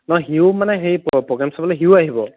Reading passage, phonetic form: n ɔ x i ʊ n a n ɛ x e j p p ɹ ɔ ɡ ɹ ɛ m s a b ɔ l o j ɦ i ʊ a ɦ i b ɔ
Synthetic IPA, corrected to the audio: n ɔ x i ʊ m a n ɛ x e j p p ɹ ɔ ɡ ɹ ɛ m s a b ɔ l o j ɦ i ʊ a ɦ i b ɔ